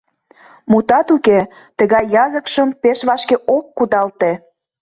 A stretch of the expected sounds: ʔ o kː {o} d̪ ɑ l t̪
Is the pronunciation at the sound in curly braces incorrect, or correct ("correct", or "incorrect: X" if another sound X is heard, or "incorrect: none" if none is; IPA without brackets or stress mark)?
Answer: incorrect: u